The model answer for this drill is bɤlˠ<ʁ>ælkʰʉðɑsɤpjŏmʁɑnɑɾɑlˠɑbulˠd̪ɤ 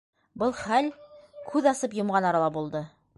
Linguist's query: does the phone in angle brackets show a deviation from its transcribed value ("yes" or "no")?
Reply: yes